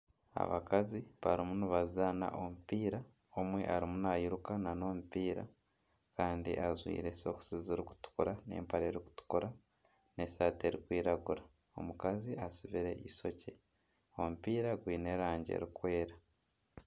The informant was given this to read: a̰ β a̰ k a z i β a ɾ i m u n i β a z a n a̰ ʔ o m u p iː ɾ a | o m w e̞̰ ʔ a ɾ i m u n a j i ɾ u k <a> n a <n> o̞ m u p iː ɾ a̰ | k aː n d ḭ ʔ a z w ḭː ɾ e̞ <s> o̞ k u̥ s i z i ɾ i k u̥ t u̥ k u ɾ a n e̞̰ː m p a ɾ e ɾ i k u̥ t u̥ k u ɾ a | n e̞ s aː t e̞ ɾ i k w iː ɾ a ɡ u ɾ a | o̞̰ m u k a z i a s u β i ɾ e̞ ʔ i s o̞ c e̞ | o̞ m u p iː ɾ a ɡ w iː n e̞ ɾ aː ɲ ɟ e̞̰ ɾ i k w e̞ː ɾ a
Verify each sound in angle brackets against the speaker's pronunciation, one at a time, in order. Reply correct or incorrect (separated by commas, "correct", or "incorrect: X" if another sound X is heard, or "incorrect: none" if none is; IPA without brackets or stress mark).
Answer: correct, correct, correct